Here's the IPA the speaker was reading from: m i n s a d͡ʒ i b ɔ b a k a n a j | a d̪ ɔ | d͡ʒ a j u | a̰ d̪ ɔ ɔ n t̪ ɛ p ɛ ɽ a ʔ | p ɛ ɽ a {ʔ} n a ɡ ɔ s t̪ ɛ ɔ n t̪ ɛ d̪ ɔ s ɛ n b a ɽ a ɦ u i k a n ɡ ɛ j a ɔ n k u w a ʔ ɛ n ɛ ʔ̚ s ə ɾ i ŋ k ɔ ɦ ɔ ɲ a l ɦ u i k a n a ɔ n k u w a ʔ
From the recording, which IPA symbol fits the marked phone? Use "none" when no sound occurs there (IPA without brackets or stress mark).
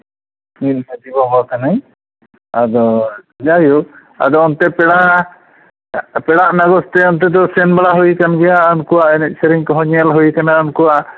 ʔ